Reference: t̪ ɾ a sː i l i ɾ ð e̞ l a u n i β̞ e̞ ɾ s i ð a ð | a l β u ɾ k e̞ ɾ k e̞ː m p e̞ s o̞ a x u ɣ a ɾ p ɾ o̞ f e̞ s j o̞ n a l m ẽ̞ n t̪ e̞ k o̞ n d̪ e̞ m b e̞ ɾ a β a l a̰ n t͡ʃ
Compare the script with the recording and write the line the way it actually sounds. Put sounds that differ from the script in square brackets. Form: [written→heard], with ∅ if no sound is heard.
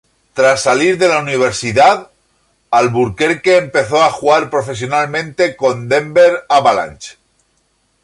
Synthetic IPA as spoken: t̪ ɾ a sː [i→a] l i ɾ ð e̞ l a u n i β̞ e̞ ɾ s i ð a ð | a l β u ɾ k e̞ ɾ k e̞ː m p e̞ [s→θ] o̞ a x u ɣ a ɾ p ɾ o̞ f e̞ s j o̞ n a l m ẽ̞ n t̪ e̞ k o̞ n d̪ e̞ m b e̞ ɾ a β a l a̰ n t͡ʃ

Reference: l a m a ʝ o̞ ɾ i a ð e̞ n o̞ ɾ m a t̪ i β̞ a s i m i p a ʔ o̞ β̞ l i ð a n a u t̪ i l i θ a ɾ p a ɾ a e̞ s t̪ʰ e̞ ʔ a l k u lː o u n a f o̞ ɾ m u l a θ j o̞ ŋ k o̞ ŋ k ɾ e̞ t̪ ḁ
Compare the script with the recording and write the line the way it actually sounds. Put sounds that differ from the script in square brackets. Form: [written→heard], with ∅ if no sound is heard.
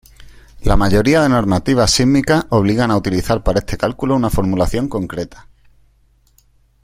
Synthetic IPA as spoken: l a m a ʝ o̞ ɾ i a ð e̞ n o̞ ɾ m a t̪ i β̞ a s i m i [p→k] a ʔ o̞ β̞ l i [ð→ɣ] a n a u t̪ i l i θ a ɾ p a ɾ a e̞ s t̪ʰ e̞ [ʔ→k] a l k u [lː→l] o u n a f o̞ ɾ m u l a θ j o̞ ŋ k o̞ ŋ k ɾ e̞ t̪ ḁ

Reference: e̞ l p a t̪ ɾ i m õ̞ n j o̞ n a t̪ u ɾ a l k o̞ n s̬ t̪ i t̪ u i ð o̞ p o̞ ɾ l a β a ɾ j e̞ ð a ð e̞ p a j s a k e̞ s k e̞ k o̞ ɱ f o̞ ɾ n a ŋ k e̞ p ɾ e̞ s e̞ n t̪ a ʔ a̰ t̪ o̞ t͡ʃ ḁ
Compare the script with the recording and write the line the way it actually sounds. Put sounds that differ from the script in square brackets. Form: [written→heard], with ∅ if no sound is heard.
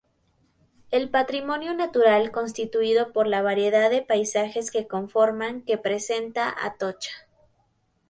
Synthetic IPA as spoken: e̞ l p a t̪ ɾ i m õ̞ n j o̞ n a t̪ u ɾ a l k o̞ n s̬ t̪ i t̪ u i ð o̞ p o̞ ɾ l a β a ɾ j e̞ ð a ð e̞ p a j s a [k→x] e̞ s k e̞ k o̞ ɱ f o̞ ɾ [n→m] a ŋ k e̞ p ɾ e̞ s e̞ n t̪ a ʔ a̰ t̪ o̞ t͡ʃ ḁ

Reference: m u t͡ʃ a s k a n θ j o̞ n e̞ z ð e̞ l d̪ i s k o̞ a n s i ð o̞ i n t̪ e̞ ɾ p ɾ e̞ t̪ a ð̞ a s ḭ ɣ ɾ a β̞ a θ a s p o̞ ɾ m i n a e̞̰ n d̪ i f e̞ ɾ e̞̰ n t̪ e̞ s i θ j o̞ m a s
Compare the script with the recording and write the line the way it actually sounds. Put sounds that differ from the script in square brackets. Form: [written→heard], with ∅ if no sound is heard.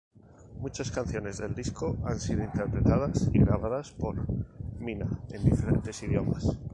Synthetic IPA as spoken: m u t͡ʃ a s k a n θ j o̞ n e̞ z ð e̞ l d̪ i s k o̞ a n s i ð o̞ i n t̪ e̞ ɾ p ɾ e̞ t̪ a ð̞ a s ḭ ɣ ɾ a β̞ a [θ→ð] a s p o̞ ɾ m i n a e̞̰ n d̪ i f e̞ ɾ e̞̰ n t̪ e̞ s i [θ→ð] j o̞ m a s

